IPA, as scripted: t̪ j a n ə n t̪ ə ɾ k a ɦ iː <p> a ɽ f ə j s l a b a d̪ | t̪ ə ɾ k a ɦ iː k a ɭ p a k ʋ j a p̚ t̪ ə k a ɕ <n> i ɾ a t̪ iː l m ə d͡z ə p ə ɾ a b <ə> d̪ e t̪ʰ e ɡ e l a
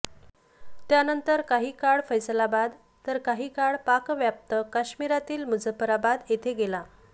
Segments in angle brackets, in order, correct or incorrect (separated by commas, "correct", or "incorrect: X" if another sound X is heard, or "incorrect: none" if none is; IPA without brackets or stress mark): incorrect: k, incorrect: m, incorrect: a